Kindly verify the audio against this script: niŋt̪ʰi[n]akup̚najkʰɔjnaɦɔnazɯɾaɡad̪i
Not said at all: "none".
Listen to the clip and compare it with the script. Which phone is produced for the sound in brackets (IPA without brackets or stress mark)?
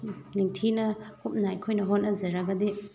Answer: n